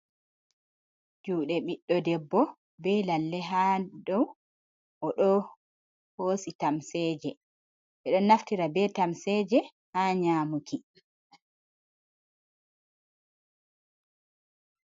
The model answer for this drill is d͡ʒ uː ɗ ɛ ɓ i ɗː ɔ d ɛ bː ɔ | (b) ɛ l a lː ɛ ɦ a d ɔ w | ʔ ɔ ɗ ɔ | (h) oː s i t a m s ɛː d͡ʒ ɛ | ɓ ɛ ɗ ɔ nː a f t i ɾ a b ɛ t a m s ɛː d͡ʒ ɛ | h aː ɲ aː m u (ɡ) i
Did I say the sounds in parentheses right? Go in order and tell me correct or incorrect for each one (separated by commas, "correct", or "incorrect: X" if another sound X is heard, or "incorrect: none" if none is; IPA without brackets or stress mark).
correct, correct, incorrect: k